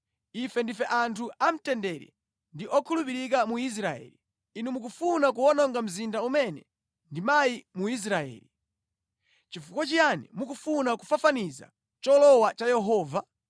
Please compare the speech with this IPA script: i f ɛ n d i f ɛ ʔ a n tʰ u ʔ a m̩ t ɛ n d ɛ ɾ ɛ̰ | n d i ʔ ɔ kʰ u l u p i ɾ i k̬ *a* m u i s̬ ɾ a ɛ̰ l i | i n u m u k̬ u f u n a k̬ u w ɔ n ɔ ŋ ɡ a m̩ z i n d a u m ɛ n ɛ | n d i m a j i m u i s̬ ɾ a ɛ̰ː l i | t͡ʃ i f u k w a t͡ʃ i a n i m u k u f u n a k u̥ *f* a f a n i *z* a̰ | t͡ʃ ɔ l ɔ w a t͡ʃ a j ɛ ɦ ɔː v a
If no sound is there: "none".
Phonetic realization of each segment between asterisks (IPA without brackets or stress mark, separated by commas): a, f, z